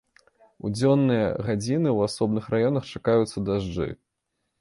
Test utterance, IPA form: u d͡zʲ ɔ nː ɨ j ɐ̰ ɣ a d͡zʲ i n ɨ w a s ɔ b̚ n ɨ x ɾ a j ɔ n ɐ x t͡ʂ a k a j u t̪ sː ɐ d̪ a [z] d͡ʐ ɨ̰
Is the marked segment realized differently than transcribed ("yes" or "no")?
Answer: yes